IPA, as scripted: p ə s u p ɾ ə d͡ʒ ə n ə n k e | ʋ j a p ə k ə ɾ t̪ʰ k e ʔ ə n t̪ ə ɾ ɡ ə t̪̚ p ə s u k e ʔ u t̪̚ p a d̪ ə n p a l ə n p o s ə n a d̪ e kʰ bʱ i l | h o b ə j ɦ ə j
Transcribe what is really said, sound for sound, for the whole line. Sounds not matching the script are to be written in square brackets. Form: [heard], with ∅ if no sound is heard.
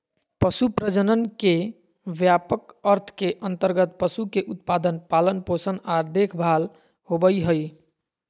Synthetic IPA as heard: p ə s u p ɾ ə d͡ʒ ə n ə n k e | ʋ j a p ə k ə ɾ t̪ʰ k e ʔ ə n t̪ ə ɾ ɡ ə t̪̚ p ə s u k e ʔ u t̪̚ p a d̪ ə n p a l ə n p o s ə n a d̪ e kʰ bʱ [a] l | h o b ə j ɦ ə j